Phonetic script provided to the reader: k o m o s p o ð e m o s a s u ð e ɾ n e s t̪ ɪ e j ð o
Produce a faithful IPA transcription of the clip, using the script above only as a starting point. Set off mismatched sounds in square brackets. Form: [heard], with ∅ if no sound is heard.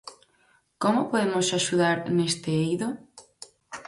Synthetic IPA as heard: k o m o [∅] p o ð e m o s a [ʃ] u ð [a] ɾ n e s t̪ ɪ e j ð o